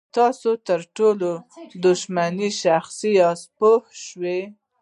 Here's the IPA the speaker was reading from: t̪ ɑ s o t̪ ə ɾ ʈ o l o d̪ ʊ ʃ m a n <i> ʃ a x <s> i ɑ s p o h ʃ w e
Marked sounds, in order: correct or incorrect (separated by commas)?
correct, correct